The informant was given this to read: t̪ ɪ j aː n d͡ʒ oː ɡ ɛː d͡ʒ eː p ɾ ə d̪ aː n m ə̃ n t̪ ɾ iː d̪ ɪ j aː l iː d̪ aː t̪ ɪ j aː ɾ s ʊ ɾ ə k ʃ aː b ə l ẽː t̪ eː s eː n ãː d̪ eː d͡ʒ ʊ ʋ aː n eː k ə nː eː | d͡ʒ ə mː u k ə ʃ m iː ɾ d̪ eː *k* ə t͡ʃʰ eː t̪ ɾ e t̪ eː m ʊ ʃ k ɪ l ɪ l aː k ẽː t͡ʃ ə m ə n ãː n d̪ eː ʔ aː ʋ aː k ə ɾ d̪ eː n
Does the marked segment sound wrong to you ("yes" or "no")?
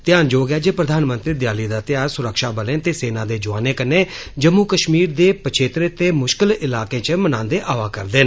yes